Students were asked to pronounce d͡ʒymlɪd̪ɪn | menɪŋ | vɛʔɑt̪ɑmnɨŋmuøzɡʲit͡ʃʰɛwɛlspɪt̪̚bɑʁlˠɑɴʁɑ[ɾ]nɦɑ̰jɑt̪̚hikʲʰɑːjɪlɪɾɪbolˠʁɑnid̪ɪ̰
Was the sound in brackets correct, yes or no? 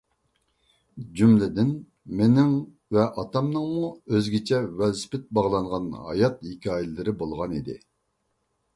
no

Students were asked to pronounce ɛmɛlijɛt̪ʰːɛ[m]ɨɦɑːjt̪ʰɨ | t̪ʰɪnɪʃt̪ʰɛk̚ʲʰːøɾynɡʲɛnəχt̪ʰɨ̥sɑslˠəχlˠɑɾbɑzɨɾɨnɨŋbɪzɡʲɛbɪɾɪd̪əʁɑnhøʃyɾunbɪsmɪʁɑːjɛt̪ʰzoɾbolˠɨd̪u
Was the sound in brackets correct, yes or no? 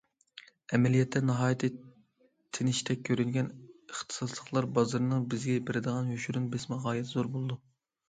no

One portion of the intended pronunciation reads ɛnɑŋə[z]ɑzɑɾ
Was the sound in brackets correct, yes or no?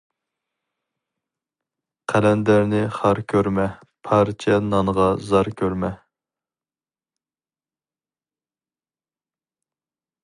no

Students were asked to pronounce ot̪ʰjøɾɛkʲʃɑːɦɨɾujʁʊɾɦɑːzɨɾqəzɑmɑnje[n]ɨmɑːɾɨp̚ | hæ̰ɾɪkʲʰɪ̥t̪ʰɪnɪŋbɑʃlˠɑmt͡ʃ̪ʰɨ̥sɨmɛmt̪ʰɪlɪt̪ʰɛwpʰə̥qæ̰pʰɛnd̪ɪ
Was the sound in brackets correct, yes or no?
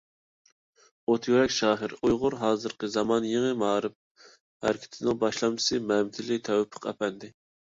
no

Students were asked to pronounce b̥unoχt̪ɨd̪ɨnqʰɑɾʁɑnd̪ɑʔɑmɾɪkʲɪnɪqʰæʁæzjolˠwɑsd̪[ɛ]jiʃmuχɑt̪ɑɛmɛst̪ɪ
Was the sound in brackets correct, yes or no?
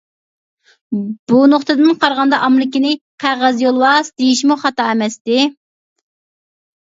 no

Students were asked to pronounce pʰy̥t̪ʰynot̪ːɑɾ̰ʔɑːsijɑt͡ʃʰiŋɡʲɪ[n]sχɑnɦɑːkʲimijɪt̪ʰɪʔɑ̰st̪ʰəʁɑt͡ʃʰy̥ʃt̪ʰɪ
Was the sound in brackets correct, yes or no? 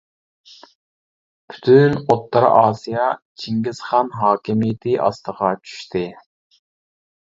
no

